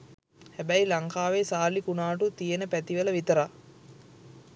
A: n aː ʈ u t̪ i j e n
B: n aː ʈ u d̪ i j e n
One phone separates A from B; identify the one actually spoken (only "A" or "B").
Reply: A